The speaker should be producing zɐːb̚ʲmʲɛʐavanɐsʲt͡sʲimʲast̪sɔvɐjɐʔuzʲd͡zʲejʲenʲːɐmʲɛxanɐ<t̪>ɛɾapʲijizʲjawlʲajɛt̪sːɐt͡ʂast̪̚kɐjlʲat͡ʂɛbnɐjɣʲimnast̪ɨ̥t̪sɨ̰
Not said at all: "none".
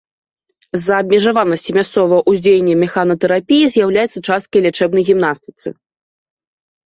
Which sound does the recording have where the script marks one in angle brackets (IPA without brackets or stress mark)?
t̪